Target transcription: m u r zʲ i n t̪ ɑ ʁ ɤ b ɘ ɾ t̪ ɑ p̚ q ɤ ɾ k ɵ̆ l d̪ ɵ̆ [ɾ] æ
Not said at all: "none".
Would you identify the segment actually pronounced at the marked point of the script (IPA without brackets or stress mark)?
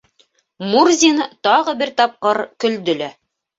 l